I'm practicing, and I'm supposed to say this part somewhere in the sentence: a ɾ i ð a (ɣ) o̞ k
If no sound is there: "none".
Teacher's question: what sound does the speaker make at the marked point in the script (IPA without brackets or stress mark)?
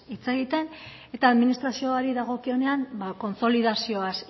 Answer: ɣ